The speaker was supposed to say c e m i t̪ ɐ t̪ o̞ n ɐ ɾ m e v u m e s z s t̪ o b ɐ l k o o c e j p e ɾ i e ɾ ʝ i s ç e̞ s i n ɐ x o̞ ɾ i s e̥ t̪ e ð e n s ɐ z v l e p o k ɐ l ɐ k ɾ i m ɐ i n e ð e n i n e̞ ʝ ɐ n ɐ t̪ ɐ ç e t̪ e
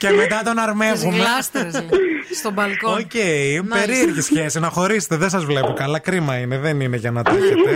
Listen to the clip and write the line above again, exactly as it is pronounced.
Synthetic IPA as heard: c e m e t̪ ɐ t̪ o̞ n ɐ ɾ m e v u m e s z s t̪ o b ɐ l k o o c e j p e ɾ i e ɾ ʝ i s ç e̞ s i n ɐ x o̞ ɾ i s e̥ t̪ e ð e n s ɐ z v l e p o k ɐ l ɐ k ɾ i m ɐ i n e ð e n i n e̞ ʝ ɐ n ɐ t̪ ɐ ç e t̪ e